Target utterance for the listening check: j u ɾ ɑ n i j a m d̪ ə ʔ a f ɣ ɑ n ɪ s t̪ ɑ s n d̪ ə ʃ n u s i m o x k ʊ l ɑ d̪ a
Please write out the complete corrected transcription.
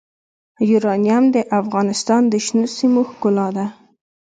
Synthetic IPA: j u ɾ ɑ n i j a m d̪ ə ʔ a f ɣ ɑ n ɪ s t̪ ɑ n d̪ ə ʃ n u s i m o x k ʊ l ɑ d̪ a

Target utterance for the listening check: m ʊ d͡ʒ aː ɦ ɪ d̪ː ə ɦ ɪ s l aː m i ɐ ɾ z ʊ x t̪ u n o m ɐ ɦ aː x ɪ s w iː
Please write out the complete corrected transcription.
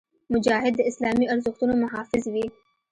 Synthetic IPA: m ʊ d͡ʒ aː ɦ ɪ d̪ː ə ɪ s l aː m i ɐ ɾ z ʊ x t̪ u n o m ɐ ɦ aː f ɪ z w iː

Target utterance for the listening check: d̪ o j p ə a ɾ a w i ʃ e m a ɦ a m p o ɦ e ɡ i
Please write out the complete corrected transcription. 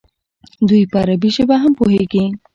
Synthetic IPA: d̪ u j p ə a ɾ a b i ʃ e b a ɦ a m p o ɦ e ɡ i

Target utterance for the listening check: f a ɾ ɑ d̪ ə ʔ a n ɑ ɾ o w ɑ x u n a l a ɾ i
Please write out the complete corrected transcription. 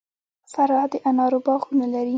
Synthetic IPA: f a ɾ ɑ d̪ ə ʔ a n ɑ ɾ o b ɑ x u n a l a ɾ i

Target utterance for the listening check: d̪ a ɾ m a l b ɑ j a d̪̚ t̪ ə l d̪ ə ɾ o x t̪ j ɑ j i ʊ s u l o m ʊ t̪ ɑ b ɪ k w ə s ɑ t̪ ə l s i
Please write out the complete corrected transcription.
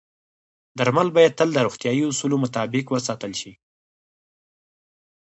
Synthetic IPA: d̪ a ɾ m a l b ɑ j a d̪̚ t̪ ə l d̪ ə ɾ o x t̪ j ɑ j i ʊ s u l o m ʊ t̪ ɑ b ɪ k w ə s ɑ t̪ ə l ʃ i

